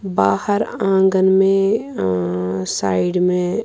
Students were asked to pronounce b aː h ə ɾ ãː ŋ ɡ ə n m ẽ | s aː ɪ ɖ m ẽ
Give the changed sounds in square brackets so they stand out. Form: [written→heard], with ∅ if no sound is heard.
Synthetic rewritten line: b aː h ə ɾ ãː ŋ ɡ ə n m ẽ | s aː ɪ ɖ m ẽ